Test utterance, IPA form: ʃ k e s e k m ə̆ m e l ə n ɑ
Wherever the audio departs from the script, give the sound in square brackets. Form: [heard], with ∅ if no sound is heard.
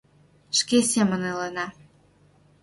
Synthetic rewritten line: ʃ k e s e [∅] m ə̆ [n] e l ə n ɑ